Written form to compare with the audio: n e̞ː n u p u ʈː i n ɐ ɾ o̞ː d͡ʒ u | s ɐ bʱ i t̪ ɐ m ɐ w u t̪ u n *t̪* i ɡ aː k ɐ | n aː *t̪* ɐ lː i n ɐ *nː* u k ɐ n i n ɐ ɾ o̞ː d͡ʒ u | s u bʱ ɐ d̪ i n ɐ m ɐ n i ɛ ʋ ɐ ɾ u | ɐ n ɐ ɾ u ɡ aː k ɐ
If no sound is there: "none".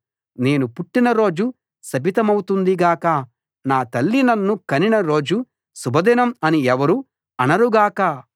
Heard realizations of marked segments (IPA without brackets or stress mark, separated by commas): d̪, t̪, nː